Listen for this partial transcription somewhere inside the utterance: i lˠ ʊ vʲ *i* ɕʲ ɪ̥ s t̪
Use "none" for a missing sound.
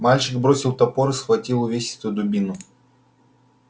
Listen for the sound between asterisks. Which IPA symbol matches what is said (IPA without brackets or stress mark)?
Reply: e